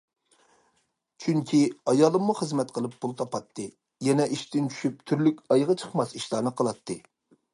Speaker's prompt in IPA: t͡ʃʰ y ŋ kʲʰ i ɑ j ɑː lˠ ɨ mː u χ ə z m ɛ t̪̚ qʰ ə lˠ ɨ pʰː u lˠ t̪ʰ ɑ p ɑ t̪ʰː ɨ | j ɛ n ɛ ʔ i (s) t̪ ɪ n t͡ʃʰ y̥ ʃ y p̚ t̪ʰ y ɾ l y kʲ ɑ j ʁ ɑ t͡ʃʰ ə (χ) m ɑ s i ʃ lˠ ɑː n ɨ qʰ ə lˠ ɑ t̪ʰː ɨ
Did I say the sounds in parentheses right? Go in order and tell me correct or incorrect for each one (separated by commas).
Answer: incorrect, correct